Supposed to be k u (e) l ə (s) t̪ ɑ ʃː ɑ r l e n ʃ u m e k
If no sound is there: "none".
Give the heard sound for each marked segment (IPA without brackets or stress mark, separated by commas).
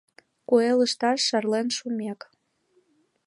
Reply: e, ʃ